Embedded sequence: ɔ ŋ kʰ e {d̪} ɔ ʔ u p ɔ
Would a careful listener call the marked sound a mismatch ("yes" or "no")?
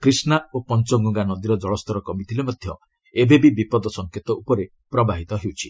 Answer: yes